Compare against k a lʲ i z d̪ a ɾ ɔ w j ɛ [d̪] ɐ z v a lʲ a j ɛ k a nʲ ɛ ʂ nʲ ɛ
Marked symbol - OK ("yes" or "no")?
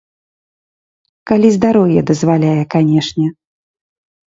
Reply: yes